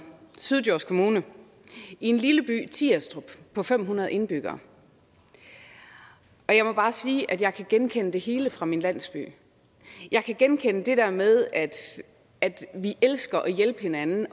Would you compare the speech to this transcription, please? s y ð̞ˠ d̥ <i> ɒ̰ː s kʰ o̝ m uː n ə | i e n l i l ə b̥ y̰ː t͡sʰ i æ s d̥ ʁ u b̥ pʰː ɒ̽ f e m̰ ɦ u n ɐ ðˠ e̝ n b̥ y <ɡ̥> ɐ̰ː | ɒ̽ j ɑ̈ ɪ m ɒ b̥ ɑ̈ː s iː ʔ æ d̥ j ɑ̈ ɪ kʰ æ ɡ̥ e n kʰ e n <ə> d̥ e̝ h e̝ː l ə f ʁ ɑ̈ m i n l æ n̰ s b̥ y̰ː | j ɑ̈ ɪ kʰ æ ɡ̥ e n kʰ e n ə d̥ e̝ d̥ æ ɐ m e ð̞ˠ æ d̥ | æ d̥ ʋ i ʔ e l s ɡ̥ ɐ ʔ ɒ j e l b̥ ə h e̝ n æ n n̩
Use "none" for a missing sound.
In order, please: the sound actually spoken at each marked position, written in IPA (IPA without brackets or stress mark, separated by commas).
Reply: j, ɡ̥, ə